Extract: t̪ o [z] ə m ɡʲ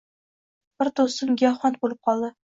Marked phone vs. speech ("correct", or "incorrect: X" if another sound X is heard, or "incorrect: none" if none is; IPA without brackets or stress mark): incorrect: s